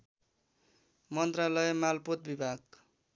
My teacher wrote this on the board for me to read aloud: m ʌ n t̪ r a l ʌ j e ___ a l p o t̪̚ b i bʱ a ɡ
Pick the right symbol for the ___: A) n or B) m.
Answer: B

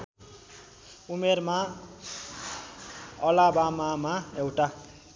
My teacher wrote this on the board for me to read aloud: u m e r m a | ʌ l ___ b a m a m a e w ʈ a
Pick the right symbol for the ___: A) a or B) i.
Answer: A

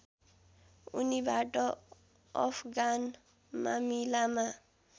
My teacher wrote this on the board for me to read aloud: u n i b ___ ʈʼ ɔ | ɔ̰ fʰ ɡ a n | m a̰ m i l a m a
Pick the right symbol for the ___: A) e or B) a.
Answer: B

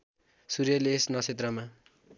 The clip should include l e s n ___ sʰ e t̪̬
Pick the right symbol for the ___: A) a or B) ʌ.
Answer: B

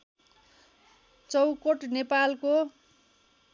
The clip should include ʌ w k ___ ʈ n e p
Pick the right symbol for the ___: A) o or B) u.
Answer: A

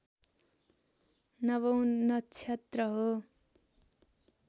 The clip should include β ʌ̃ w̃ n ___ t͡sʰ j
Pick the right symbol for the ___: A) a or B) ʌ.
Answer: B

